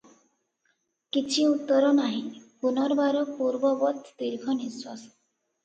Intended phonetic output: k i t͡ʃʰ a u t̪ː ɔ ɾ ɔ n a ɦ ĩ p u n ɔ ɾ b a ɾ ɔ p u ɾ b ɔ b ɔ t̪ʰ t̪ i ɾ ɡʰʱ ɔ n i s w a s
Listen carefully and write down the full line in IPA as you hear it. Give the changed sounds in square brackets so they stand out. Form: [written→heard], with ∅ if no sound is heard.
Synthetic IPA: k i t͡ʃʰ [a→i] u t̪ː ɔ ɾ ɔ n a ɦ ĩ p u n ɔ ɾ b a ɾ ɔ p u ɾ b ɔ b ɔ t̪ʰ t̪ i ɾ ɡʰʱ ɔ n i s w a s